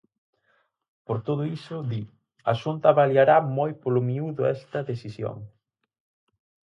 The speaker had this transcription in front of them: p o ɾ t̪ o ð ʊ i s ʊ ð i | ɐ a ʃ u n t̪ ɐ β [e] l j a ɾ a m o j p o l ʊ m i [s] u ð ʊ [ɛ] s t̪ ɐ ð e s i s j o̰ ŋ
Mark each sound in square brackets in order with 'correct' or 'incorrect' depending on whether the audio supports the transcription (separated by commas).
incorrect, incorrect, correct